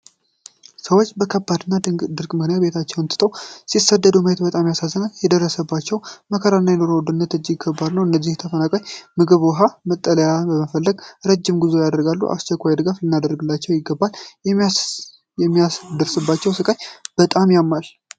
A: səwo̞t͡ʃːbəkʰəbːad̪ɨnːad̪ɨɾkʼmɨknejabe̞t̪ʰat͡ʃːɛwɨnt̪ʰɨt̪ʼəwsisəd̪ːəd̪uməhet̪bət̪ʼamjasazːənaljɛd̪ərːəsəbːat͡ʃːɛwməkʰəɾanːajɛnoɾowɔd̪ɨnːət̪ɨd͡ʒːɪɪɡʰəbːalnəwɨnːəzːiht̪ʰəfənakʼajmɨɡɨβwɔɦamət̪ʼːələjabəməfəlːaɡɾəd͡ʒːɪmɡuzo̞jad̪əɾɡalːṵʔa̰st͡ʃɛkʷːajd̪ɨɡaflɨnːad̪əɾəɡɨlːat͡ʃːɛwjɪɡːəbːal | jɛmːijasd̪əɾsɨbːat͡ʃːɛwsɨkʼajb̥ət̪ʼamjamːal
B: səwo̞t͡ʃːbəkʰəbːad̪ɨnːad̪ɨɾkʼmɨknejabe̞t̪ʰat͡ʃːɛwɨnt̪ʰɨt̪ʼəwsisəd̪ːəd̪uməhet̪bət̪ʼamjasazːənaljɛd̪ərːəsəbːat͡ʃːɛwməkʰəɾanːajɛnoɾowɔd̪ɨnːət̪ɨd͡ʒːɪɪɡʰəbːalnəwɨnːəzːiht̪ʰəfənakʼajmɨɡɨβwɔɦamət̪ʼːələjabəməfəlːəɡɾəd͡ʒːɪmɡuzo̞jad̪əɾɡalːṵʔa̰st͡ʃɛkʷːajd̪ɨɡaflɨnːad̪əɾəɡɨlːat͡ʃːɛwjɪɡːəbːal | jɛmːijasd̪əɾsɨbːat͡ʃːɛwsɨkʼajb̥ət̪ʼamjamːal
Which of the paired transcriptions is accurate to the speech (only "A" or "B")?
B